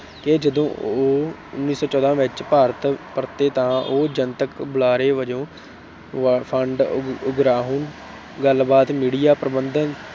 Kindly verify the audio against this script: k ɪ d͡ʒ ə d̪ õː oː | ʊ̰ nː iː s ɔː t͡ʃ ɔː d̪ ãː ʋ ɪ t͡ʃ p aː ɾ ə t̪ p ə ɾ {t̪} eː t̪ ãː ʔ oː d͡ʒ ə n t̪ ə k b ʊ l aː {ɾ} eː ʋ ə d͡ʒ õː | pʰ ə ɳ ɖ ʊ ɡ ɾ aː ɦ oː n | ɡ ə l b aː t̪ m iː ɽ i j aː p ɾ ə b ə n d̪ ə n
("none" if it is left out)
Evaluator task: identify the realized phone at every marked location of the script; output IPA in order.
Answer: t̪, ɾ

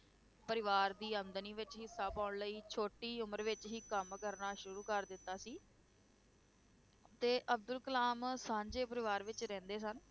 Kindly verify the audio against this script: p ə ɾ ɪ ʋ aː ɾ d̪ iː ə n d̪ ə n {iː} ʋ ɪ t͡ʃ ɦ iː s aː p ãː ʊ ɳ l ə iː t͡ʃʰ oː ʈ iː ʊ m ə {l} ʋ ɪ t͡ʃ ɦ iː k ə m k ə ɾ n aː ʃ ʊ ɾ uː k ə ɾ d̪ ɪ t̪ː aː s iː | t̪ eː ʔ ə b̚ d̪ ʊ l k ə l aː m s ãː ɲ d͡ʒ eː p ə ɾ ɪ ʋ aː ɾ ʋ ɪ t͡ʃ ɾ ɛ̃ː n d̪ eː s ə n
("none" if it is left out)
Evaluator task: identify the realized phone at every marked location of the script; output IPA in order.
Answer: iː, ɾ

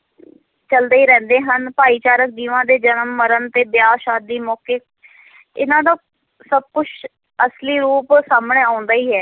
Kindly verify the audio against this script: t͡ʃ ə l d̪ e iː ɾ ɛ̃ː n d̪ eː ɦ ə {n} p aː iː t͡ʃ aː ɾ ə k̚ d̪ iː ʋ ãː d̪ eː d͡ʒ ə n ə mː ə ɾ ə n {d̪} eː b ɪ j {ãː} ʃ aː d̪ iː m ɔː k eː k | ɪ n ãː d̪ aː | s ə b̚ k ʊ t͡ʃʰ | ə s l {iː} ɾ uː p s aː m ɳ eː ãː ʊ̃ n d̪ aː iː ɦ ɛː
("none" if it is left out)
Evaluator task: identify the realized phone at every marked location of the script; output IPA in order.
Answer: n, t̪, aː, iː

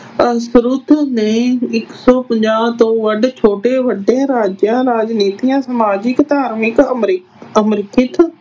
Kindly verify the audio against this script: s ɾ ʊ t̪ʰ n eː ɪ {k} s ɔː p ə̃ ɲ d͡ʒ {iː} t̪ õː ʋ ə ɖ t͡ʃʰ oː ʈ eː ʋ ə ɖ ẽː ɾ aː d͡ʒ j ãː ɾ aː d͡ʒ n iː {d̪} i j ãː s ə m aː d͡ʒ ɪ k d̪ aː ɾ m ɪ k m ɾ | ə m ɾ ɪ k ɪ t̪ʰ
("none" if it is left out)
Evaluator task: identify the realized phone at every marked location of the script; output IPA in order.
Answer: k, aː, t̪

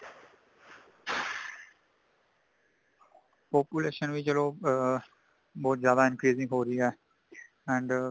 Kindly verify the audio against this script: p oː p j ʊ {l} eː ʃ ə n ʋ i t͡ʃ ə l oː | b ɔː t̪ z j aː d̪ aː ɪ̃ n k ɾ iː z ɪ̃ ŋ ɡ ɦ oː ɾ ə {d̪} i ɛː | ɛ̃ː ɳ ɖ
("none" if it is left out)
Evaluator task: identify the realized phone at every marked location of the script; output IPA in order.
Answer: l, none

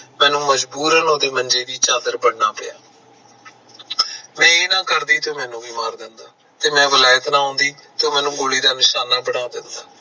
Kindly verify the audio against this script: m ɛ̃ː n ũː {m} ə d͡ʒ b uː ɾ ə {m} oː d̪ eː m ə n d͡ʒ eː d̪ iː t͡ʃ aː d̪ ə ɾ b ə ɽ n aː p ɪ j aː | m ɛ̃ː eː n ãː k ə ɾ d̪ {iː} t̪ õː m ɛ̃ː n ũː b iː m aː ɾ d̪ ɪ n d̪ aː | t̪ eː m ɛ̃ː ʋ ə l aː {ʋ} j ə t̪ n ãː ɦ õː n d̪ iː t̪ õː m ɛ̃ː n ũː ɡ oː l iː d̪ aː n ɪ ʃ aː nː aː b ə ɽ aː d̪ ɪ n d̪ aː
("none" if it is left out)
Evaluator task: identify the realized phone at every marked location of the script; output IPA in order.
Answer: m, n, iː, none

